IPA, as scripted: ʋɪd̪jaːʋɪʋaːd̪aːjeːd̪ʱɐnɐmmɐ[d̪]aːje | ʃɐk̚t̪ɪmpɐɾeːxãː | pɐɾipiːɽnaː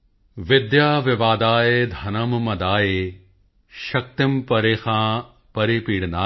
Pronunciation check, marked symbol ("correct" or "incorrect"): correct